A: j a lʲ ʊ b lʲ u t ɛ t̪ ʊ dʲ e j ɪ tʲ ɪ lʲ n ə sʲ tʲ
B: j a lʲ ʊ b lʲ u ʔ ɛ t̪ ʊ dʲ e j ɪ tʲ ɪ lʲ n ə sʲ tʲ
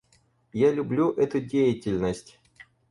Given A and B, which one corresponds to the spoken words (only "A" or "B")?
B